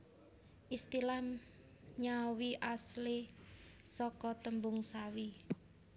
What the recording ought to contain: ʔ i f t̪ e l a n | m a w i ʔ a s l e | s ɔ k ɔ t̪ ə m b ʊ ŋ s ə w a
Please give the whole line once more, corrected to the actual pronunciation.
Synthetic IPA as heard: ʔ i s t̪ i l a m | ɲ a w i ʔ a s l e | s ɔ k ɔ t̪ ə m b ʊ ŋ s a w i